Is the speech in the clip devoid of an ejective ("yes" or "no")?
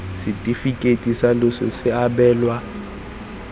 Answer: no